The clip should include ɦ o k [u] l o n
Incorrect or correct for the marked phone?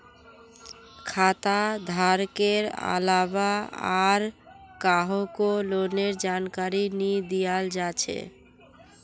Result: incorrect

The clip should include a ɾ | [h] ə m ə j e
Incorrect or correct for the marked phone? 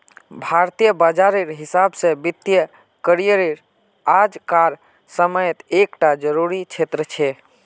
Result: incorrect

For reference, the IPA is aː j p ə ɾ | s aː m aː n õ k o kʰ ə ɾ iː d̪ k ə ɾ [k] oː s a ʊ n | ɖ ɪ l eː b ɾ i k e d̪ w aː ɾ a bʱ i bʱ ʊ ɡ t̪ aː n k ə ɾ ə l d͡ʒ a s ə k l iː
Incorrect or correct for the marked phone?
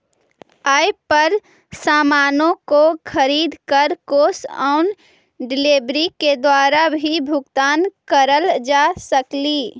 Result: correct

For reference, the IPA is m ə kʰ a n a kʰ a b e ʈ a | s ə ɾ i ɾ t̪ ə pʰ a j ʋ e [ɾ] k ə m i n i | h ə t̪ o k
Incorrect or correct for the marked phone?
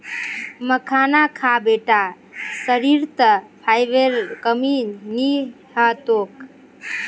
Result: correct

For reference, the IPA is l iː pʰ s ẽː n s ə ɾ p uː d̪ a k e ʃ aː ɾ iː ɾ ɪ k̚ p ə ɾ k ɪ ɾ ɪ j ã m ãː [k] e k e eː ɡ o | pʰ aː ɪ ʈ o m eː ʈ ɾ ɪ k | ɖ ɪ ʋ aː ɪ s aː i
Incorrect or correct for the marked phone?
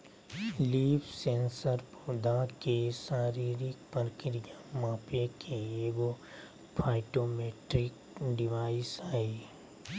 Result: incorrect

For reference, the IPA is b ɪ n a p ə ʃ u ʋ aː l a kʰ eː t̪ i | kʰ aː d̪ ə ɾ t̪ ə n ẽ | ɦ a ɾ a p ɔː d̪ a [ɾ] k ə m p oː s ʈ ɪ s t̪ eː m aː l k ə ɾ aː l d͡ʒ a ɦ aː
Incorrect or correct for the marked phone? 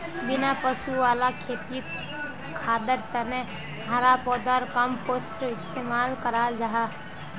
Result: correct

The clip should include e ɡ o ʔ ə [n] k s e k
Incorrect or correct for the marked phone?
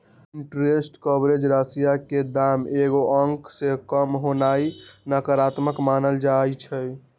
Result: incorrect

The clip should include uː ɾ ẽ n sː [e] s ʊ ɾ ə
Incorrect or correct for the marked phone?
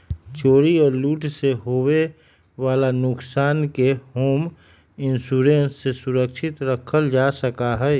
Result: correct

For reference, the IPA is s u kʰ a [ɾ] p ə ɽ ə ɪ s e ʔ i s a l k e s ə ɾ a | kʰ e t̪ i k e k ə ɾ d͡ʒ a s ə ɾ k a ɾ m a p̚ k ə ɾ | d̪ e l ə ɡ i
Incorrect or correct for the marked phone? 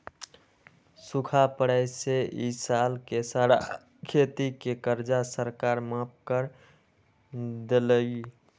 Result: incorrect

